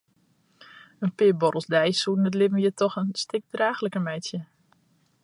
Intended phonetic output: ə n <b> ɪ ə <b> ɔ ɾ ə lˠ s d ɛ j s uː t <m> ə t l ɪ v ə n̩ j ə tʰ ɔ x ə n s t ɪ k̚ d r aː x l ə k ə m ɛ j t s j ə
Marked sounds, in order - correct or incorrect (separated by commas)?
incorrect, correct, incorrect